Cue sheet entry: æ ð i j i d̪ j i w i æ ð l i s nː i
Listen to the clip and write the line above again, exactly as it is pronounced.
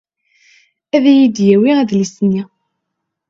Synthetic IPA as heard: æ ð æ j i d̪ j æ w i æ ð l i s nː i